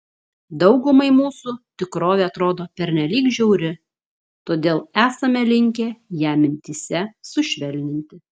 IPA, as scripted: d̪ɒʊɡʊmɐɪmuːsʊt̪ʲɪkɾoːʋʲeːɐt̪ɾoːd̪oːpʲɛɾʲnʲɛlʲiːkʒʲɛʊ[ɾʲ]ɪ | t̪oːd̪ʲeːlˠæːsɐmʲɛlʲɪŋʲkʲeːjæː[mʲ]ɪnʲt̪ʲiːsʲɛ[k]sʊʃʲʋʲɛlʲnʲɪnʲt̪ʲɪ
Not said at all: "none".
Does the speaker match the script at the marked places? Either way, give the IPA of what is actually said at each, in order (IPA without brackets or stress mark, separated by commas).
ɾʲ, mʲ, none